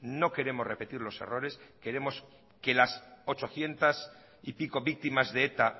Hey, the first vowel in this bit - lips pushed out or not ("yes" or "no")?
yes